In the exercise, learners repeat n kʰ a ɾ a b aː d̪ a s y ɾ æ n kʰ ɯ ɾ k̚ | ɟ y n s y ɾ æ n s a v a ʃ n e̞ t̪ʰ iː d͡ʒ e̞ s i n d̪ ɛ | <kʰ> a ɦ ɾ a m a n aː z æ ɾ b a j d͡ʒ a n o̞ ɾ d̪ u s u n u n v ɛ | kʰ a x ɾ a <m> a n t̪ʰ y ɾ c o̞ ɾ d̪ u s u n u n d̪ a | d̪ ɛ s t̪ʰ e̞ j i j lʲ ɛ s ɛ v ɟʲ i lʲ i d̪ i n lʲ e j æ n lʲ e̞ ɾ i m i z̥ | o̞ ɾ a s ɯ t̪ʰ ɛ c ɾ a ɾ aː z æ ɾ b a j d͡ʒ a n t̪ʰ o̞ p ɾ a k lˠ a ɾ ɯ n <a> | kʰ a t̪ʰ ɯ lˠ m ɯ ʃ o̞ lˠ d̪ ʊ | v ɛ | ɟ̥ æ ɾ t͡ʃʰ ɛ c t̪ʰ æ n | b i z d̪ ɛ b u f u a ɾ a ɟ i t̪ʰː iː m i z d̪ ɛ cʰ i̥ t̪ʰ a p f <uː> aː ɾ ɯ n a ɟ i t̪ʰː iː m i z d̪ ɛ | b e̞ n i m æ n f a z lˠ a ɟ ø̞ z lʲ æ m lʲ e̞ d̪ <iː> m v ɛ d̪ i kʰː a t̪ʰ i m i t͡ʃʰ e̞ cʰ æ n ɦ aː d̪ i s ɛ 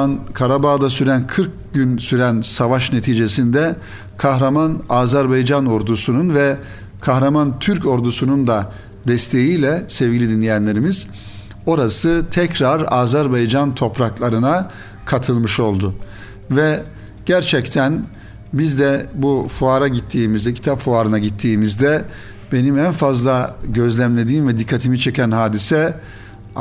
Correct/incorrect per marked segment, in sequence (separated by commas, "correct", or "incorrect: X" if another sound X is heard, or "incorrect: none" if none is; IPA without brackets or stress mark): correct, correct, correct, incorrect: u, correct